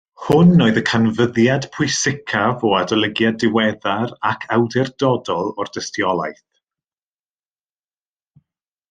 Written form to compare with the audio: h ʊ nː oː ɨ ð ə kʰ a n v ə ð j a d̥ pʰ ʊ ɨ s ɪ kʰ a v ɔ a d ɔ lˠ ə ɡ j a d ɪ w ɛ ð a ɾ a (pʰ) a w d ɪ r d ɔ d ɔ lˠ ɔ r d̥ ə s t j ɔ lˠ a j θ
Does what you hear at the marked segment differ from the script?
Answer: yes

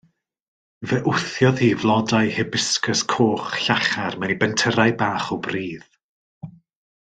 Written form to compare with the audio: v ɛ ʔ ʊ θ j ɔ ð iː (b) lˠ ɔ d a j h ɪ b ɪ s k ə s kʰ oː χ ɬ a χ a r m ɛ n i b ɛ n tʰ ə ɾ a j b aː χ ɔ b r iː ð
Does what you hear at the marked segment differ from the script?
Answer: yes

